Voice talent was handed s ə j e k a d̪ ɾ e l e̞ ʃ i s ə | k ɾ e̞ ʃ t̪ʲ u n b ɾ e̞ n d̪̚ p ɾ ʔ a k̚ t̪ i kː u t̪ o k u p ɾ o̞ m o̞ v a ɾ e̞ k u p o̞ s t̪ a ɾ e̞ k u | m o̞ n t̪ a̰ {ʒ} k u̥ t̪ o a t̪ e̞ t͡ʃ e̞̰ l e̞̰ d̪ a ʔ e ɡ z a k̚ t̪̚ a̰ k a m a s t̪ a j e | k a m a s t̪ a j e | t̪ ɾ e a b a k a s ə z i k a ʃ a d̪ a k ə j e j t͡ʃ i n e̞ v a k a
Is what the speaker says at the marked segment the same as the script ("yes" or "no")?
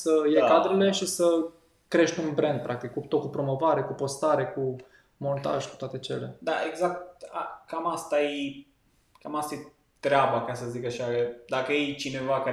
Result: yes